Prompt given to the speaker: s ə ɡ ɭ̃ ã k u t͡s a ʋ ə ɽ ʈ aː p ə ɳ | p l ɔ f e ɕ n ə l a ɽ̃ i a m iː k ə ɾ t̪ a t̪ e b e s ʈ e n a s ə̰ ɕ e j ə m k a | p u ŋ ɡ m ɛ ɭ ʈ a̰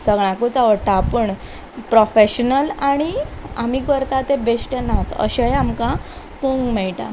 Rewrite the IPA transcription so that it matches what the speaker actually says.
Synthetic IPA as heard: s ə ɡ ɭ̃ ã k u t͡s a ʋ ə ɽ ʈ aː p ə ɳ | p ɾ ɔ f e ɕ n ə l a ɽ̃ i a m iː k ə ɾ t̪ a t̪ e b e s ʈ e n a t͡s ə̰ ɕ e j a m k a | p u ŋ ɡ m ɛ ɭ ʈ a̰